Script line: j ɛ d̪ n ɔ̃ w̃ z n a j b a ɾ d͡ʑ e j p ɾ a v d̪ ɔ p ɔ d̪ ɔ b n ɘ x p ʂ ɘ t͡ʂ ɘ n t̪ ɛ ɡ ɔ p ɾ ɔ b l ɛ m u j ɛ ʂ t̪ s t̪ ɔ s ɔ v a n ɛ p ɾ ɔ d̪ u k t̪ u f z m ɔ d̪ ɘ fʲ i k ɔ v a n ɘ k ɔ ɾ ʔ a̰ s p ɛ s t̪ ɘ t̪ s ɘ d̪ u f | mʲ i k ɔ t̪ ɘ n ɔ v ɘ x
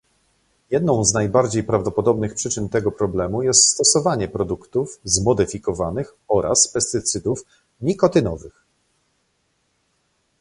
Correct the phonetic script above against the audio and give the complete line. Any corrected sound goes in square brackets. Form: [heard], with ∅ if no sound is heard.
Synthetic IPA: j ɛ d̪ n ɔ̃ w̃ z n a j b a ɾ d͡ʑ e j p ɾ a v d̪ ɔ p ɔ d̪ ɔ b n ɘ x p ʂ ɘ t͡ʂ ɘ n t̪ ɛ ɡ ɔ p ɾ ɔ b l ɛ m u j ɛ [s] t̪ s t̪ ɔ s ɔ v a [ɲ] ɛ p ɾ ɔ d̪ u k t̪ u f z m ɔ d̪ ɘ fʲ i k ɔ v a n ɘ [x] ɔ ɾ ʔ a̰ s p ɛ s t̪ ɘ t̪ s ɘ d̪ u f | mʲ i k ɔ t̪ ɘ n ɔ v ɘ x